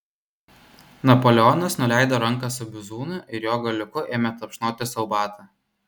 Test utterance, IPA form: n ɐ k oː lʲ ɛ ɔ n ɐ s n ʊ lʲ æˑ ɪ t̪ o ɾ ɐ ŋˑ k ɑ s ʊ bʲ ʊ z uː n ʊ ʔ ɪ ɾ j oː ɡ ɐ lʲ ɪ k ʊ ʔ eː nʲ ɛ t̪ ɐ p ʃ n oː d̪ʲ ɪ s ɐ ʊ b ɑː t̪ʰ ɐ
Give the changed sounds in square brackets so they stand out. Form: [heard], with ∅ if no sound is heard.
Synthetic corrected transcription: n ɐ [p] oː lʲ ɛ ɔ n ɐ s n ʊ lʲ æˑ ɪ [d̪] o ɾ ɐ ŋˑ k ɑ s ʊ bʲ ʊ z uː n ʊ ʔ ɪ ɾ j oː ɡ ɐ lʲ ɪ k ʊ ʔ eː [mʲ] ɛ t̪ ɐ p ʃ n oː [t̪ʲ] ɪ s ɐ ʊ b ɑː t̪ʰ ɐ